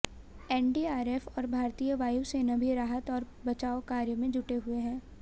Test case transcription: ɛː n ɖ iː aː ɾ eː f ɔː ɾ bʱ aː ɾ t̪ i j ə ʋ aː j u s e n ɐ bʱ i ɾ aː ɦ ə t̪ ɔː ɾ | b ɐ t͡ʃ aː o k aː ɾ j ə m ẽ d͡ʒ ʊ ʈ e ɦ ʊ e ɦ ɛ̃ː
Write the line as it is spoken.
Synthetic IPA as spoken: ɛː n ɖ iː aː ɾ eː f ɔː ɾ bʱ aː ɾ t̪ i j ə ʋ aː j u s e n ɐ bʱ i ɾ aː ɦ ə t̪ ɔː ɾ | b ɐ t͡ʃ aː o k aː ɾ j ə m ẽ d͡ʒ ʊ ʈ e ɦ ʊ e ɦ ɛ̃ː